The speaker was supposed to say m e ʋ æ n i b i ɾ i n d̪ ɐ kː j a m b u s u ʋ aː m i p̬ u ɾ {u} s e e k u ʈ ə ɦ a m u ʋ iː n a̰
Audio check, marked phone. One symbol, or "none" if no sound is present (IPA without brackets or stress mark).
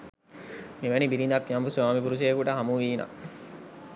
u